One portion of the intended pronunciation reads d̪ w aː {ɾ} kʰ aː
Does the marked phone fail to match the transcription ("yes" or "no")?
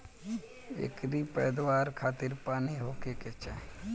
no